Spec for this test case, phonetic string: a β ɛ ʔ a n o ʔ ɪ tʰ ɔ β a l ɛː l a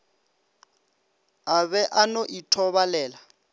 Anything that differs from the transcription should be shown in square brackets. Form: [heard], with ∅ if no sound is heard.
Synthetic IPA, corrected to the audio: a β ɛ ʔ a n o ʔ [i] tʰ ɔ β a l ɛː l a

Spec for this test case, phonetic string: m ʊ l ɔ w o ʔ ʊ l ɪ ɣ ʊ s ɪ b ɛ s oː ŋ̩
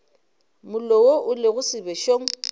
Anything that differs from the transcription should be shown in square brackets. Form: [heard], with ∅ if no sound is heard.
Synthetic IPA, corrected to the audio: m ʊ l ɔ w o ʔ ʊ l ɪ ɣ ʊ s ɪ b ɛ [ʃ] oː ŋ̩

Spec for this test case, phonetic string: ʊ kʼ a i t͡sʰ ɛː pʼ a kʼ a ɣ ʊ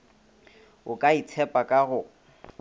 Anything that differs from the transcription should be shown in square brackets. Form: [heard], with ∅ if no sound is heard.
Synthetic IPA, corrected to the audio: ʊ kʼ a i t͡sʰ [ɛ] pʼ a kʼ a ɣ ʊ

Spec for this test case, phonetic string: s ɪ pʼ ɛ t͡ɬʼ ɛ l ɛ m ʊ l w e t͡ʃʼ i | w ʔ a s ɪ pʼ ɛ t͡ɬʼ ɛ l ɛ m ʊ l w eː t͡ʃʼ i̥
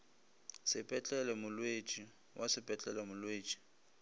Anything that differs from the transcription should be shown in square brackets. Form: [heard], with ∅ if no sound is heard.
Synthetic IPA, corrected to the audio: s ɪ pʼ ɛ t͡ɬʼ ɛ l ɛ m ʊ l w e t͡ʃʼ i | w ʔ a s ɪ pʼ ɛ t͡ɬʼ ɛ l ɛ m ʊ l w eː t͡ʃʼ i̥

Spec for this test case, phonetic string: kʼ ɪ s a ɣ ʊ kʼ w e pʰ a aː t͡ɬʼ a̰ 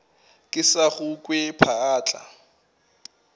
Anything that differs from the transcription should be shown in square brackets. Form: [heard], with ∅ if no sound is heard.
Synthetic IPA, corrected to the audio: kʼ ɪ s a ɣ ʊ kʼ w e pʰ a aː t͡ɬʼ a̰

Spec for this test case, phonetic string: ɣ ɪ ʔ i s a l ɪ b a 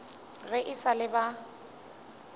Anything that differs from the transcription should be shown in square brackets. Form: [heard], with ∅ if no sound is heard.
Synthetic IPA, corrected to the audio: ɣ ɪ ʔ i s a l ɪ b a

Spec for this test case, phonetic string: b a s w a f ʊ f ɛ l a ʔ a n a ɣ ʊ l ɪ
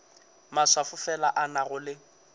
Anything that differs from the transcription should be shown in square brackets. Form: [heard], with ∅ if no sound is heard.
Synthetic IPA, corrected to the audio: [m] a s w a f ʊ f ɛ l a ʔ a n a ɣ ʊ l ɪ

